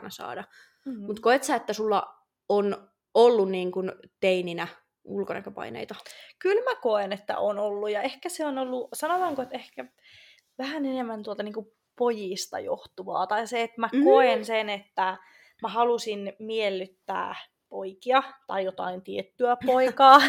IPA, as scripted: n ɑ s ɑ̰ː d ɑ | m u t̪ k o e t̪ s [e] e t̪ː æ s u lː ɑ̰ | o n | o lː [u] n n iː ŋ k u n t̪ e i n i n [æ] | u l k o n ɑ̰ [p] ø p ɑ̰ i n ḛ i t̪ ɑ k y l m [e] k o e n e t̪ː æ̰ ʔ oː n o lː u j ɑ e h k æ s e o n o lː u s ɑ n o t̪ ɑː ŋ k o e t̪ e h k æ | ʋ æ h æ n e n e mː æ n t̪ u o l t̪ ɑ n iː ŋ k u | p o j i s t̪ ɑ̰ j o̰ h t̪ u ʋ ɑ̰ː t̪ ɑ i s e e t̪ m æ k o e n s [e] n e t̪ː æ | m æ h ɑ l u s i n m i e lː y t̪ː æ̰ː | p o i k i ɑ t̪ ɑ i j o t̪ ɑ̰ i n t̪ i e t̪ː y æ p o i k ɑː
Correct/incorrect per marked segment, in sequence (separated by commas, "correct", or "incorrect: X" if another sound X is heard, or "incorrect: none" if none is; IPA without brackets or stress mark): incorrect: æ, correct, correct, incorrect: k, incorrect: æ, correct